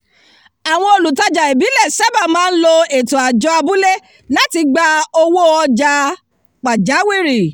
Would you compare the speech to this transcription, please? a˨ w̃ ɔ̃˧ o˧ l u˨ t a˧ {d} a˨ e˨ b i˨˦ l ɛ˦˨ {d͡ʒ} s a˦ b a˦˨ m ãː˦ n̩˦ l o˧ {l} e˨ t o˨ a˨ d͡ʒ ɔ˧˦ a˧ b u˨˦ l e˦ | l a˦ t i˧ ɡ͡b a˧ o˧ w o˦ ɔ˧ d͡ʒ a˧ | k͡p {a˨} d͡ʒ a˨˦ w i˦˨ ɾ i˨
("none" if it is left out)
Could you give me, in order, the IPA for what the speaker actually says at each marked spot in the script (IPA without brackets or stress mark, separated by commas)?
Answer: d͡ʒ, none, none, a˨